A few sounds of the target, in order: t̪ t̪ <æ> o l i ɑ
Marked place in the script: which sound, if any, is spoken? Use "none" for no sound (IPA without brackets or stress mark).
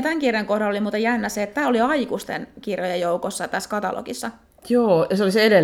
æː